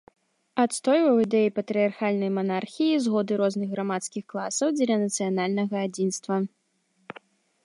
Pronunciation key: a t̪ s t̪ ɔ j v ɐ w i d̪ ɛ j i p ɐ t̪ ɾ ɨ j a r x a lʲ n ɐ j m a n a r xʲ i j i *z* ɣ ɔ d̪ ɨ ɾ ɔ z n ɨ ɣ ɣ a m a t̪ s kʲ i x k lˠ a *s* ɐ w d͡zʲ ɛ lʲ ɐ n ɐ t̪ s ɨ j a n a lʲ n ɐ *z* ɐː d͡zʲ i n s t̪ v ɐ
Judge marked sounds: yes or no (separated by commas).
yes, yes, no